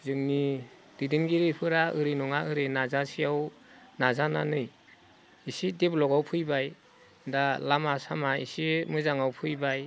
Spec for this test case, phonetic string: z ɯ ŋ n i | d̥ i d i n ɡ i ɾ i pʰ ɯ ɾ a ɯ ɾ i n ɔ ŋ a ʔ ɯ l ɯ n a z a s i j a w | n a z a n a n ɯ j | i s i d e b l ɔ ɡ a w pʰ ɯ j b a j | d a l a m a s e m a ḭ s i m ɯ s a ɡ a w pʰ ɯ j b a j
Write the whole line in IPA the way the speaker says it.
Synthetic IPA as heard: z ɯ ŋ n i | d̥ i d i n ɡ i ɾ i pʰ ɯ ɾ a ɯ ɾ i n ɔ ŋ a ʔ ɯ ɾ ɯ n a z a s i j a w | n a z a n a n ɯ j | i s i d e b l ɔ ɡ a w pʰ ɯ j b a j | d a l a m a s a m a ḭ s i m ɯ z a ŋ a w pʰ ɯ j b a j